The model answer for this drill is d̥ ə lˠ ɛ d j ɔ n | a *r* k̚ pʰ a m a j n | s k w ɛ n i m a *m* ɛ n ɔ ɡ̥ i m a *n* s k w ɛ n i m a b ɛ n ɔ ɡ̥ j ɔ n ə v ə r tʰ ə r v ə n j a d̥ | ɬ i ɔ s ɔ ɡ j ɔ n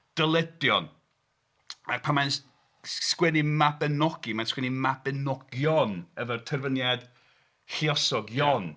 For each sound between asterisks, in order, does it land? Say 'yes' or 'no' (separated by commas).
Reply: no, no, yes